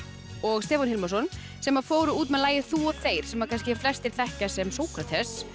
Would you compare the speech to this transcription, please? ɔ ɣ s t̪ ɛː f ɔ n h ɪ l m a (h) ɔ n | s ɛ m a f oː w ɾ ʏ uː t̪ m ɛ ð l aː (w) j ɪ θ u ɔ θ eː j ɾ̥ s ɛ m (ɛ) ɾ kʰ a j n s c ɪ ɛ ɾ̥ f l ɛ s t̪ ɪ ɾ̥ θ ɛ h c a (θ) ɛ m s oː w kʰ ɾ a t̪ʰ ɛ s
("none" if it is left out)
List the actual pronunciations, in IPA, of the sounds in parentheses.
s, none, a, s

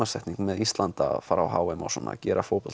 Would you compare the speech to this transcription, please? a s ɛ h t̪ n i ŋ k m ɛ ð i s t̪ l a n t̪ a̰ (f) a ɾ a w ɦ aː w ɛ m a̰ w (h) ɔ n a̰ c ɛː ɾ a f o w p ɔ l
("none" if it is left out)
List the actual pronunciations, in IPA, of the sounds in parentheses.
f, s

